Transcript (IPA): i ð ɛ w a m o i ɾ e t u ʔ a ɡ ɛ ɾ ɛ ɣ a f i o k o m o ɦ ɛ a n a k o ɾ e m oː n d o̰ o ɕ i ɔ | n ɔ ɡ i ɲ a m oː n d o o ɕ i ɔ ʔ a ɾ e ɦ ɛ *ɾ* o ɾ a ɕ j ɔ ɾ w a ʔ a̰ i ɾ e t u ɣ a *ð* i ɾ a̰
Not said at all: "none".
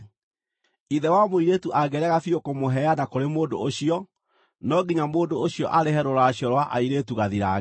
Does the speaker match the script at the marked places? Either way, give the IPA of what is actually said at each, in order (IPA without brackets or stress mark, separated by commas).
ɾ, ð